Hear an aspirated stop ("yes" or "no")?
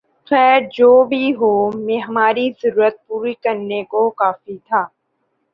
yes